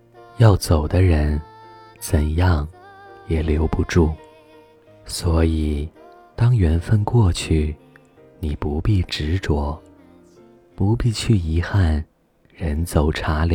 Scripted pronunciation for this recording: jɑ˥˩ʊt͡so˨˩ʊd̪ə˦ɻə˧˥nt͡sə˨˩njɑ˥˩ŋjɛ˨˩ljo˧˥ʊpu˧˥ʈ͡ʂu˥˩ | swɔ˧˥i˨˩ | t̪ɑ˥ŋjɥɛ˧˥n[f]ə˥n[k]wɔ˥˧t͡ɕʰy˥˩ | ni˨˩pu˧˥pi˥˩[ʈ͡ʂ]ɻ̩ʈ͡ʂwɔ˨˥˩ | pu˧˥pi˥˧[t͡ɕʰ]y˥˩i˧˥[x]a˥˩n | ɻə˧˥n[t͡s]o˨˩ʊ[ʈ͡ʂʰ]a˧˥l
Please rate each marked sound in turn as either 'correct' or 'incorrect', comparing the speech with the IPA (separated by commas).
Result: correct, correct, correct, correct, correct, correct, correct